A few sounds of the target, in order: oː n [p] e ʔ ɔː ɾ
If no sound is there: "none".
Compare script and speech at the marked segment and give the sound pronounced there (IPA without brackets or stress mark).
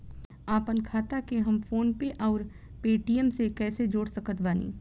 p